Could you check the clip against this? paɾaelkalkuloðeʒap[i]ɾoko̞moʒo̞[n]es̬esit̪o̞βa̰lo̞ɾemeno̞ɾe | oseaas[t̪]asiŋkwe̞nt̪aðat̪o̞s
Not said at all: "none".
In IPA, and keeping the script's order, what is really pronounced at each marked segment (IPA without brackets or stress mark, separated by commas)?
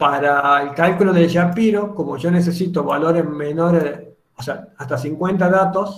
i, n, t̪